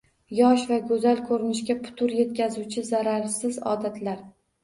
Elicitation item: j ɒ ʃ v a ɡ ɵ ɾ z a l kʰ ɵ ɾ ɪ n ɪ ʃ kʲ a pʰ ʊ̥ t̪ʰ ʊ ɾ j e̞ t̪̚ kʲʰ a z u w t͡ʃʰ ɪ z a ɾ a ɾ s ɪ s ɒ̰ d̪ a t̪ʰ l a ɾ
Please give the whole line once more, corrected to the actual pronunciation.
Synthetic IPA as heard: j ɒ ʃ v a ɡ ɵ z a l kʰ ɵ ɾ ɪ n ɪ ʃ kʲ a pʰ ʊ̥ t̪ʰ ʊ ɾ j e̞ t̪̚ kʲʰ a z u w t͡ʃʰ ɪ z a ɾ a ɾ s ɪ z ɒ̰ d̪ a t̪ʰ l a ɾ